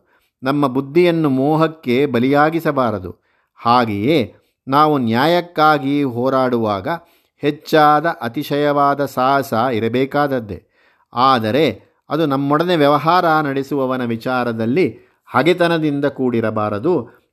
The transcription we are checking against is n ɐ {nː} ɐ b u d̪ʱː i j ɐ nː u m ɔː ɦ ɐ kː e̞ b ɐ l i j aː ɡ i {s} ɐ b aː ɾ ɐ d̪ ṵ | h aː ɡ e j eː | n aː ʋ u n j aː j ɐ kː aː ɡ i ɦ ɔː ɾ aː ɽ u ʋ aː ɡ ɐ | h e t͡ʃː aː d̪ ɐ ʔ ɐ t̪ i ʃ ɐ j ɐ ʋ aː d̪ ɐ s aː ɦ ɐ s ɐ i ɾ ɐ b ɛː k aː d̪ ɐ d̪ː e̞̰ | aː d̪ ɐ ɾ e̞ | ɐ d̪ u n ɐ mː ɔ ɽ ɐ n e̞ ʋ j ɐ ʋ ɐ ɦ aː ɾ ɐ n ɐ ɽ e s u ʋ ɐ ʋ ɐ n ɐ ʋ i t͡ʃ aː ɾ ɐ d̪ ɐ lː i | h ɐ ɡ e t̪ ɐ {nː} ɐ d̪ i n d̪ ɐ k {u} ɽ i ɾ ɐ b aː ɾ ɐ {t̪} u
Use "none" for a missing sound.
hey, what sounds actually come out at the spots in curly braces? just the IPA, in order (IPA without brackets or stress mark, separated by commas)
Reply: mː, s, n, uː, d̪